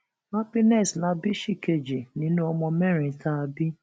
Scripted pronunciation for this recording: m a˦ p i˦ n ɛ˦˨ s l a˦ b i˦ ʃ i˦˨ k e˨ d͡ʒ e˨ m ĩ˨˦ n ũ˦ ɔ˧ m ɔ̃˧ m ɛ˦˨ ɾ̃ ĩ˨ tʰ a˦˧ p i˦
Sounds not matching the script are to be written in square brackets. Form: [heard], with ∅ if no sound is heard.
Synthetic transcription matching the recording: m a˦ p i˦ n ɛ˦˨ s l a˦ b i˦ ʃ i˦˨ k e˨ d͡ʒ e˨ [n] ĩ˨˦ n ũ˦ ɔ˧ m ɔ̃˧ m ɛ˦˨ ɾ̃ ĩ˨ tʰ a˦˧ [b] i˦